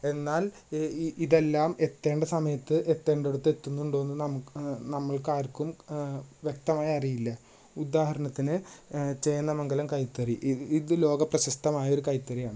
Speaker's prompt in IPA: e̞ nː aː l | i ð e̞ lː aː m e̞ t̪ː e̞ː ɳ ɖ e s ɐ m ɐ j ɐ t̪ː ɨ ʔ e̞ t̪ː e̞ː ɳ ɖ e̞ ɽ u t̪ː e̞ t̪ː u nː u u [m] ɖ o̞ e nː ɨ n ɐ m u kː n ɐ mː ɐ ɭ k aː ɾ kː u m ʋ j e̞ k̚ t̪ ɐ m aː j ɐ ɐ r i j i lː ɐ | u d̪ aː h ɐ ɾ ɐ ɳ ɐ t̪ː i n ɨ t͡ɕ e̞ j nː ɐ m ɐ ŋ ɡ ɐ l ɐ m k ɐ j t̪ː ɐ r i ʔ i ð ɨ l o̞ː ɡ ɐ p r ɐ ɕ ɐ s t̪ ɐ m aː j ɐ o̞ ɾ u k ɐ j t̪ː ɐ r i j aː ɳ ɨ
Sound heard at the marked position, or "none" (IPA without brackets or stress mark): ɳ